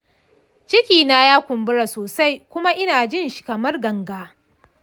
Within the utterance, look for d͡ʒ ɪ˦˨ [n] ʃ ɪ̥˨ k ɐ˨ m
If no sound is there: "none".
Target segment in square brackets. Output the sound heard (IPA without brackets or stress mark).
n